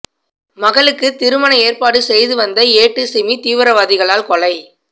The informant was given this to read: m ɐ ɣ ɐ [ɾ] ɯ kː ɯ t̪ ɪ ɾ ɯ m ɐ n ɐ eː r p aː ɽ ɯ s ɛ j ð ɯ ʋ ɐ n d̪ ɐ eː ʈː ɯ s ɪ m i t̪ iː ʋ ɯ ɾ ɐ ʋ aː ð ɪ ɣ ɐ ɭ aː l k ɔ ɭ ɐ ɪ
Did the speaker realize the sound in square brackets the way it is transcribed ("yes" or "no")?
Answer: no